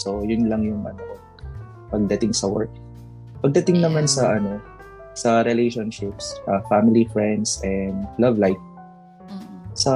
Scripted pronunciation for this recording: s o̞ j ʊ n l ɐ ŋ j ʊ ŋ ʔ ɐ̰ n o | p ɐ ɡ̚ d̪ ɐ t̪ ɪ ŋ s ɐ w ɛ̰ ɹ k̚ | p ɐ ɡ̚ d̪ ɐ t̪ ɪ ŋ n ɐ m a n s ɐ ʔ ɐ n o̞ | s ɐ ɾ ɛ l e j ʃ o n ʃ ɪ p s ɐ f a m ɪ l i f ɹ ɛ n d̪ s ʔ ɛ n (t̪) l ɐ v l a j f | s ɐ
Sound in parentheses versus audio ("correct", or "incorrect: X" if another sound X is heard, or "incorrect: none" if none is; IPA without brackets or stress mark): incorrect: d̪